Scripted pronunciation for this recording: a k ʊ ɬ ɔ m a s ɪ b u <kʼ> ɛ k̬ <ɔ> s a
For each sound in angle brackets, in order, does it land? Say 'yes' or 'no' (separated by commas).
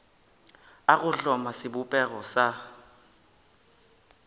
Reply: no, yes